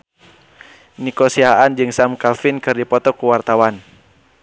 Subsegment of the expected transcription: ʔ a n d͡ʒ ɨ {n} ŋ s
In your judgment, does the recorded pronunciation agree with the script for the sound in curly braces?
no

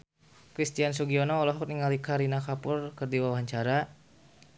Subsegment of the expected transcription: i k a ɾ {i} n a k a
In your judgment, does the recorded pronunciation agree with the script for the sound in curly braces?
yes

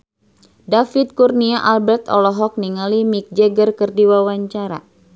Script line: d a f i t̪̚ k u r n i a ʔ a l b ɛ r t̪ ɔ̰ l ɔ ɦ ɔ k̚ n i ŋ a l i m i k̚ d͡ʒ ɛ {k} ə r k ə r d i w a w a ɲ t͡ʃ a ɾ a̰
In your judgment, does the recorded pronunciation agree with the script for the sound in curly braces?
no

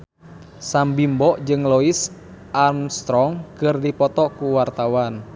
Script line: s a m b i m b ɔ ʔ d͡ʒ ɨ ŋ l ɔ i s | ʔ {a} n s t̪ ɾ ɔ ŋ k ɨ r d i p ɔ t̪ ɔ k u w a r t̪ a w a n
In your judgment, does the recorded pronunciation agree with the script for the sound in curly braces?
yes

